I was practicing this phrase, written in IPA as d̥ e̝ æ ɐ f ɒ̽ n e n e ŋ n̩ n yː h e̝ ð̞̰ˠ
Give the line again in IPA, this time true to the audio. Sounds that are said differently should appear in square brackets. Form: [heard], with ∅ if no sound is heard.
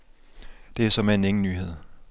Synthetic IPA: d̥ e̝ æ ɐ [s] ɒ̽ [m] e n e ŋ n̩ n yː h e̝ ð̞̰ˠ